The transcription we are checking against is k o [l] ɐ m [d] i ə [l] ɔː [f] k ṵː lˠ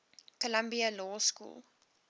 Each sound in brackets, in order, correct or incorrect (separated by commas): correct, incorrect, correct, incorrect